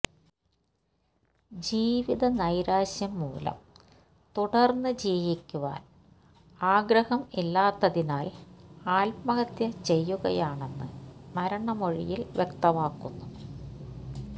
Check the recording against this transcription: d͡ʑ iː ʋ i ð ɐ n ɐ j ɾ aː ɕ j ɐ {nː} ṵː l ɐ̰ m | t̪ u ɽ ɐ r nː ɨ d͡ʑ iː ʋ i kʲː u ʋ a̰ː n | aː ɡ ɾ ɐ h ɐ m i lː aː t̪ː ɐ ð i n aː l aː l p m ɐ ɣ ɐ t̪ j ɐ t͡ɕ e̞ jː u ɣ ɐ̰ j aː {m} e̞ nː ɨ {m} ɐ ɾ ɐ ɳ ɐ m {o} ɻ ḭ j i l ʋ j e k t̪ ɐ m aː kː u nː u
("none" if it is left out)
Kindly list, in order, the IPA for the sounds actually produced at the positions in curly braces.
mː, ɳ, m, o

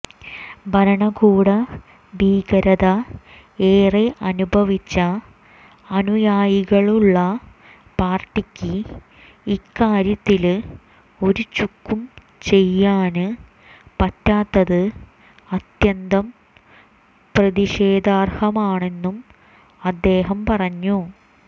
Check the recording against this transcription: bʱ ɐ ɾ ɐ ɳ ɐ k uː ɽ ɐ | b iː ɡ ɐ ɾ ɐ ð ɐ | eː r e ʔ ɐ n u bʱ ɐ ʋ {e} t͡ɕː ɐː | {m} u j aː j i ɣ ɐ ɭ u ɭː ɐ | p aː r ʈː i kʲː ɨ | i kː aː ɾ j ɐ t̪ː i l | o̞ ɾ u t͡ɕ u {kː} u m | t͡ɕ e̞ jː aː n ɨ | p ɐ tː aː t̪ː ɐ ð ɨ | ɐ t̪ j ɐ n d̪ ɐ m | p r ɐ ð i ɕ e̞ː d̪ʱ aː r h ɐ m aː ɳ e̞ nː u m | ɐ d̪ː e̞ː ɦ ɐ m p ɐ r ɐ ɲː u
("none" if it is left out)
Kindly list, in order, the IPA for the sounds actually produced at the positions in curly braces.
i, n, kː

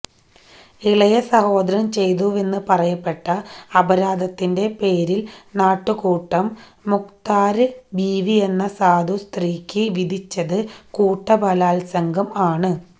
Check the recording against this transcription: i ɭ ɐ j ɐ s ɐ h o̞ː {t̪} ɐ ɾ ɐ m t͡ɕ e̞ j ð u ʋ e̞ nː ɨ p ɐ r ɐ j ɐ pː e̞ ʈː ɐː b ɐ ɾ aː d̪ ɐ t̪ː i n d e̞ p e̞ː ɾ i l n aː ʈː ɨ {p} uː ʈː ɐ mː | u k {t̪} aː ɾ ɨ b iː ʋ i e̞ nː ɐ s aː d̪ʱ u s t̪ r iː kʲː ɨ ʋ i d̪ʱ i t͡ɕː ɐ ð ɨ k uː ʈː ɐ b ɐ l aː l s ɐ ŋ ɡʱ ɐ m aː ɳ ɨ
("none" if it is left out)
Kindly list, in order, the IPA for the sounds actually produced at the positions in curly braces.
d̪, k, t̪

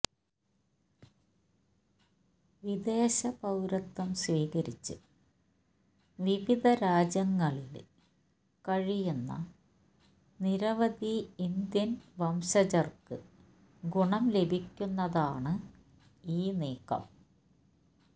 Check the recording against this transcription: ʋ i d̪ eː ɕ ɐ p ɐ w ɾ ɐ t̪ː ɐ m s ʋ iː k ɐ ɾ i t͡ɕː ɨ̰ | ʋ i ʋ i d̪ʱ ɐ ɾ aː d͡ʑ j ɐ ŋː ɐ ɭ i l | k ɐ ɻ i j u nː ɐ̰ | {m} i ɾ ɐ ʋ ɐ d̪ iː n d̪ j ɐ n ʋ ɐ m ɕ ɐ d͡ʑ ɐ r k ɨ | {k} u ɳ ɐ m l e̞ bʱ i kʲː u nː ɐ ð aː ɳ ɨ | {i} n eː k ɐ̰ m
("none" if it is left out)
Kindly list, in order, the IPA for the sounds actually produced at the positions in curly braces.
n, ɡ, iː

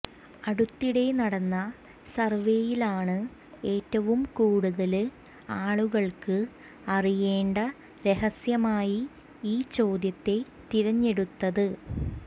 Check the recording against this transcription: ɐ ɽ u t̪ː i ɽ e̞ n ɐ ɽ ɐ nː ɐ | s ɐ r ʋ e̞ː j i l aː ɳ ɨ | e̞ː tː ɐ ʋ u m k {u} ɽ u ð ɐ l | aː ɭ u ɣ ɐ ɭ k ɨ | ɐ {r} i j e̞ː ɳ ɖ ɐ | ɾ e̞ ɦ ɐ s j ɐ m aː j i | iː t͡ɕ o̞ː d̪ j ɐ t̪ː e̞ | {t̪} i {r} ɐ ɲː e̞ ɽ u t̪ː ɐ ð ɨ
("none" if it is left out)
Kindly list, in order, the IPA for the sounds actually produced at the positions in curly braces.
uː, r, t̪, ɾ

